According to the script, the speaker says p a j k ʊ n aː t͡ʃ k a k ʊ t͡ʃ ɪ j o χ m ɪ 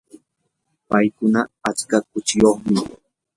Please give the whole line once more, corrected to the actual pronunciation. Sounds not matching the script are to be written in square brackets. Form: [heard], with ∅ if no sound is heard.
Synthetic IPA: p a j k ʊ n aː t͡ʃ k a k ʊ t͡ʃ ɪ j o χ m ɪ